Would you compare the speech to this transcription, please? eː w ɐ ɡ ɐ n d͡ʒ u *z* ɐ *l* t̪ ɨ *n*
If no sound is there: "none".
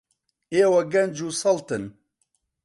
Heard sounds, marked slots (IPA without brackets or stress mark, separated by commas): s, l, n